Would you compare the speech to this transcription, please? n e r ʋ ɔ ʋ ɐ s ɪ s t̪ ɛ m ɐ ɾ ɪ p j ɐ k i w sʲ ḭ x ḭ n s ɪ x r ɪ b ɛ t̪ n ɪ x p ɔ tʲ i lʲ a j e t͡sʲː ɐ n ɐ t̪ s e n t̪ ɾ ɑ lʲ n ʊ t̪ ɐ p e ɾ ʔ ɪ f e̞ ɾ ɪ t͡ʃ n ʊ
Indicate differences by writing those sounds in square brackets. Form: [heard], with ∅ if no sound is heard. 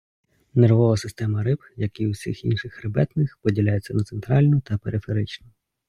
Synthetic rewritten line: n e r ʋ ɔ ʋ ɐ s ɪ s t̪ ɛ m ɐ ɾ ɪ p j ɐ k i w sʲ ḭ x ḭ n [ʃ] ɪ x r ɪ b ɛ t̪ n ɪ x p ɔ [dʲ] i lʲ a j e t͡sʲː ɐ n ɐ t̪ s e n t̪ ɾ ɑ lʲ n ʊ t̪ ɐ p e ɾ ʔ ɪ f e̞ ɾ ɪ t͡ʃ n ʊ

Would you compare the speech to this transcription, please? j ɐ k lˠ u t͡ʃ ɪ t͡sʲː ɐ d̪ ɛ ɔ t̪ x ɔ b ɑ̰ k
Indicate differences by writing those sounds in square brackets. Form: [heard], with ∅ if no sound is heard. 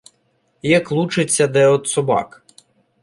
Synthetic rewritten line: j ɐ k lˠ u t͡ʃ ɪ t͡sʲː ɐ d̪ ɛ ɔ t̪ [s] ɔ b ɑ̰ k

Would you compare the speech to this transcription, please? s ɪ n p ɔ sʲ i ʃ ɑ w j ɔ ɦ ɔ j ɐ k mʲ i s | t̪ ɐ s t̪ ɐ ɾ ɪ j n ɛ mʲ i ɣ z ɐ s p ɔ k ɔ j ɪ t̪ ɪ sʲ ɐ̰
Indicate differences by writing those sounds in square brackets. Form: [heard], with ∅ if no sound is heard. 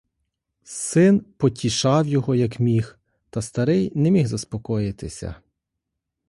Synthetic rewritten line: s ɪ n p ɔ [tʲ] i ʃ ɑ w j ɔ ɦ ɔ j ɐ k mʲ i [x] | t̪ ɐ s t̪ ɐ ɾ ɪ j n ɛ mʲ i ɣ z ɐ s p ɔ k ɔ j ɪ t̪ ɪ sʲ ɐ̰

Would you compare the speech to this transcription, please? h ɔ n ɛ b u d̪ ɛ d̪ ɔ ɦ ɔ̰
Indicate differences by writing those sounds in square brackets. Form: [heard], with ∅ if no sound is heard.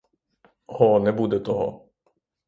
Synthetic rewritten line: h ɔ n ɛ b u d̪ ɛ [t̪] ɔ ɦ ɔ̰

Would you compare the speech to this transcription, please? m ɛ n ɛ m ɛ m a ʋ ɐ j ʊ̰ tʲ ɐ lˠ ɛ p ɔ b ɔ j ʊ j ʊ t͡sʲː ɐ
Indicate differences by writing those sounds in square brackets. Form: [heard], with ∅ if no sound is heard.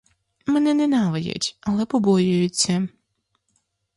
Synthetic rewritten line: m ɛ n ɛ [n] ɛ [n] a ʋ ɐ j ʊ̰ tʲ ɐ lˠ ɛ p ɔ b ɔ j ʊ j ʊ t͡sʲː ɐ

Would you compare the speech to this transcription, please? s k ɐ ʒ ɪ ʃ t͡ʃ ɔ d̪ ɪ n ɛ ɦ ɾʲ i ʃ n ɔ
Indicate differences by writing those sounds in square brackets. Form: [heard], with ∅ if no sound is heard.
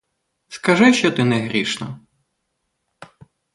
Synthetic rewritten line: s k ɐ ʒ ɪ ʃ t͡ʃ ɔ [t̪] ɪ n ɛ ɦ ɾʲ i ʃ n ɔ

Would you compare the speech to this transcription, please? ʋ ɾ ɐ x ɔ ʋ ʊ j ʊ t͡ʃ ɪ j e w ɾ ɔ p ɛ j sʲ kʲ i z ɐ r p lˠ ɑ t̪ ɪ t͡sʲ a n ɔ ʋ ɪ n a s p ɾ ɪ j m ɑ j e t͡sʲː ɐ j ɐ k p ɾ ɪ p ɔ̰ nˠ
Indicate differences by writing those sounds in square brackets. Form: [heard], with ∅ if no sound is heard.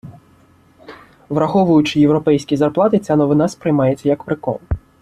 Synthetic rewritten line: ʋ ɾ ɐ x ɔ ʋ ʊ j ʊ t͡ʃ ɪ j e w ɾ ɔ p ɛ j sʲ kʲ i z ɐ r p lˠ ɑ t̪ ɪ t͡sʲ a n ɔ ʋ ɪ n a s p ɾ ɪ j m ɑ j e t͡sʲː ɐ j ɐ k p ɾ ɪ [k] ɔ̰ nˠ

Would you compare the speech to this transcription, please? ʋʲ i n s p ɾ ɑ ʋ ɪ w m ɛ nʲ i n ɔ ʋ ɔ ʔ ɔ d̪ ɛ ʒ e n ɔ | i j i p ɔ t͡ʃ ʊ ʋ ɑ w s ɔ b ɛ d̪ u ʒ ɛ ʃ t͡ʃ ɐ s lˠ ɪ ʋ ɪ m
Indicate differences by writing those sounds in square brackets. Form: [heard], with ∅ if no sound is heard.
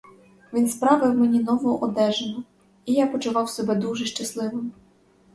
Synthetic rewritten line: ʋʲ i n s p ɾ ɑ ʋ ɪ w m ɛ nʲ i n ɔ ʋ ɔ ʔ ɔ d̪ ɛ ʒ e n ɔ | i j [a] p ɔ t͡ʃ ʊ ʋ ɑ w s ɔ b ɛ d̪ u ʒ ɛ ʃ t͡ʃ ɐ s lˠ ɪ ʋ ɪ m

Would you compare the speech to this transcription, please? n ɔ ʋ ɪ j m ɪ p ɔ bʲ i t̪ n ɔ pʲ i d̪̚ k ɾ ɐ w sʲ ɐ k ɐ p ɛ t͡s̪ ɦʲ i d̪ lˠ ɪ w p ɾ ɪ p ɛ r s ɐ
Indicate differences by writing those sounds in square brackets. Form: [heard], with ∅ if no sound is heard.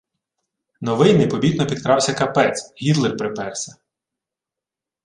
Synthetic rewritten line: n ɔ ʋ ɪ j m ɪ p ɔ bʲ i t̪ n ɔ pʲ i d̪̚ k ɾ [ɑ] w sʲ ɐ k ɐ p ɛ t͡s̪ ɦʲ i d̪ lˠ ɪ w p ɾ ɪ p ɛ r s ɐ

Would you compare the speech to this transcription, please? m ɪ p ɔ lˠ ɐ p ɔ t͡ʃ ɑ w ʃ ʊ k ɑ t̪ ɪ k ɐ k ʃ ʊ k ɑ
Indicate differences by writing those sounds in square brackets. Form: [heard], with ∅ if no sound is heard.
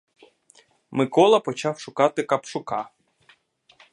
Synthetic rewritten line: m ɪ [k] ɔ lˠ ɐ p ɔ t͡ʃ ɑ w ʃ ʊ k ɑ t̪ ɪ k ɐ [p] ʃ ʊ k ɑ

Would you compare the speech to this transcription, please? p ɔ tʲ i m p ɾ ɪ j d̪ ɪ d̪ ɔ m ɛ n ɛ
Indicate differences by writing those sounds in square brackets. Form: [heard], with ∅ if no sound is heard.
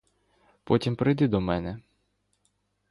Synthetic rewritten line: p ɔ tʲ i m p ɾ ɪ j d̪ ɪ d̪ ɔ m ɛ n ɛ

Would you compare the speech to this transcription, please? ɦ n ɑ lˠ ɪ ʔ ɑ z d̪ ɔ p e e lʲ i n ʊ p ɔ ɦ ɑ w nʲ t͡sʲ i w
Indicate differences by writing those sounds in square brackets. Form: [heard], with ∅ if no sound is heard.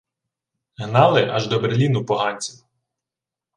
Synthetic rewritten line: ɦ n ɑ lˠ ɪ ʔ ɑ [ʒ] d̪ ɔ [b] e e lʲ i n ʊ p ɔ ɦ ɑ [∅] nʲ t͡sʲ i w

